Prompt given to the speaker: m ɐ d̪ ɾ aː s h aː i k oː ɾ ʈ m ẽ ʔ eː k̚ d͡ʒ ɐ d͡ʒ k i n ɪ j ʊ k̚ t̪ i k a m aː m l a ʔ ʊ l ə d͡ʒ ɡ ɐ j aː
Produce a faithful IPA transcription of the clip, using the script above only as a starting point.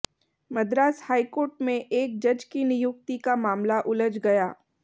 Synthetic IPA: m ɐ d̪ ɾ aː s h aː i k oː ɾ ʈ m ẽ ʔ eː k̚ d͡ʒ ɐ d͡ʒ k i n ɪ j ʊ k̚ t̪ i k a m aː m l a ʔ ʊ l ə d͡ʒ ɡ ɐ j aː